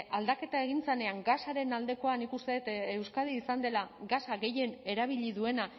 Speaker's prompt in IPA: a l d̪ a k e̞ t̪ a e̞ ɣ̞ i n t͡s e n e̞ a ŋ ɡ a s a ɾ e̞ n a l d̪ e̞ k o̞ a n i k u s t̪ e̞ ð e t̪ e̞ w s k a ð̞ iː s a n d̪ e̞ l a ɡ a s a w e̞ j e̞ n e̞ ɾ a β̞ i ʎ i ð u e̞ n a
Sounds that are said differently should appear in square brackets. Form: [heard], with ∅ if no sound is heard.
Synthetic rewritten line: a l d̪ a k e̞ t̪ a e̞ ɣ̞ i n t͡s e n e̞ a ŋ ɡ a s a ɾ e̞ n a l d̪ e̞ k o̞ a n i k u s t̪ e̞ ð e t̪ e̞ w s k a ð̞ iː s a n d̪ e̞ l a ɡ a s a [ɣ] e̞ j e̞ n e̞ ɾ a β̞ i ʎ i ð u e̞ n a